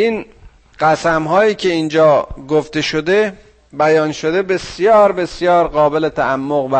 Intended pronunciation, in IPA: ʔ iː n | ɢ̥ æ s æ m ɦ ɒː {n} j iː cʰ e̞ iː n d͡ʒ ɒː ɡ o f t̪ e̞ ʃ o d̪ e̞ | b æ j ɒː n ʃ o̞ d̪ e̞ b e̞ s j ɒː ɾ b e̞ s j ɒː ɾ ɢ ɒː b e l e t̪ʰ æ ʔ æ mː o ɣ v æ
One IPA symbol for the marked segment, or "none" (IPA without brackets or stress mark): none